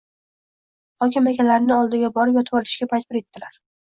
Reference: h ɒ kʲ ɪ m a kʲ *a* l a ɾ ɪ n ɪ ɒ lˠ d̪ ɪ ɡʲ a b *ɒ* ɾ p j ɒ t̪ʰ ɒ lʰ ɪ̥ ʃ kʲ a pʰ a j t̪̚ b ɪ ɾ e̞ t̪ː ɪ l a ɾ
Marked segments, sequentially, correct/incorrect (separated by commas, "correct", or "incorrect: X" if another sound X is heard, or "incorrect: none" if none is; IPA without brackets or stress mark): correct, correct